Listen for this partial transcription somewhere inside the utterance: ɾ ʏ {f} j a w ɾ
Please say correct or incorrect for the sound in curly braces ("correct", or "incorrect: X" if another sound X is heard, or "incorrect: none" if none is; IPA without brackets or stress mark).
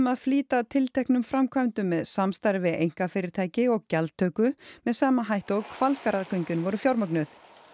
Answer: correct